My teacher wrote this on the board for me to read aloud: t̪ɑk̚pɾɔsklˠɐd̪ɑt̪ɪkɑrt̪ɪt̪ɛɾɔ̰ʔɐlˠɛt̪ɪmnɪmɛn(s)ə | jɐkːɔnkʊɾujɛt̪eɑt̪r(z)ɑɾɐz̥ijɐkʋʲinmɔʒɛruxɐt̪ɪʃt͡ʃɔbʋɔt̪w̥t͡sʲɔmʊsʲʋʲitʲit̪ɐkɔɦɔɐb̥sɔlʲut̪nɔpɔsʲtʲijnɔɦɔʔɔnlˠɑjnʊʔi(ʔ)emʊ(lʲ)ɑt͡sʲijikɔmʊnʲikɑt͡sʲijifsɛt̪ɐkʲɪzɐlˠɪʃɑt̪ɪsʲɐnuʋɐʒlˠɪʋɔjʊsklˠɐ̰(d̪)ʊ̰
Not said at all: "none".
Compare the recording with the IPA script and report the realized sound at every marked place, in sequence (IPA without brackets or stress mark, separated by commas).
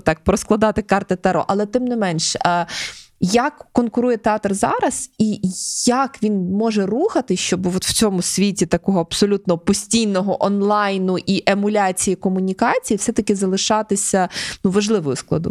ʃ, z, ʔ, lʲ, d̪